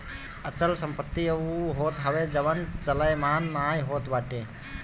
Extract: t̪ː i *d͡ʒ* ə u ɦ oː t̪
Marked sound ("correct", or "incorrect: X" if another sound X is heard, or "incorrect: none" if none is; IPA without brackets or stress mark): incorrect: none